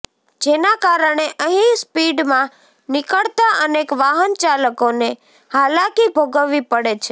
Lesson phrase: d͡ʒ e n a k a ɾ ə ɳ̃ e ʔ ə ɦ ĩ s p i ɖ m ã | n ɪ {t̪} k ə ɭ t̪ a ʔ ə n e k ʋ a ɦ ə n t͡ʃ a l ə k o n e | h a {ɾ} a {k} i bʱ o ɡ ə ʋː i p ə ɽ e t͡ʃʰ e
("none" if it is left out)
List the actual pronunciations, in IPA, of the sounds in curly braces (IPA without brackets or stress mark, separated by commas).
none, l, k